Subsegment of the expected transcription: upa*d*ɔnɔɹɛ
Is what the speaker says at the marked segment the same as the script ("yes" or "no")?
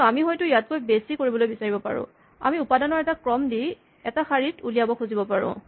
yes